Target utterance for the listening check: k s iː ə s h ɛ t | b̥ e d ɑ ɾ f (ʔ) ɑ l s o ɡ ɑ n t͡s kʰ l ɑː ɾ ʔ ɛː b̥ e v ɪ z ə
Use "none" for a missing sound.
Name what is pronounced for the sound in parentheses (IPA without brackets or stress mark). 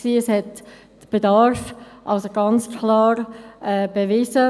ʔ